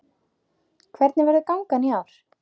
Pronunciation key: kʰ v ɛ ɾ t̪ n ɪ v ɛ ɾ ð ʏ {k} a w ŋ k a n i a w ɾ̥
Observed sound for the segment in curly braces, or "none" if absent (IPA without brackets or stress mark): k